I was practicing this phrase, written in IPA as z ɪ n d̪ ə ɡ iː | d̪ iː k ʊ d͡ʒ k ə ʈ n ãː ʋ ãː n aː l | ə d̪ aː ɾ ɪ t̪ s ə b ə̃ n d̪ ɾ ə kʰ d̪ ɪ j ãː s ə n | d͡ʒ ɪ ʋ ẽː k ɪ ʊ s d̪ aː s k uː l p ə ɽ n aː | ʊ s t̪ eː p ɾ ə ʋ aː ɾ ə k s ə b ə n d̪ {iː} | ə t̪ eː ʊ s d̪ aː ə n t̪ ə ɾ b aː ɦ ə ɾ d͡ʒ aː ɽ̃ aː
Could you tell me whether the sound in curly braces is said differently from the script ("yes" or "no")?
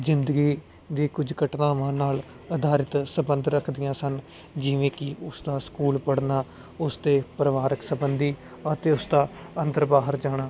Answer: no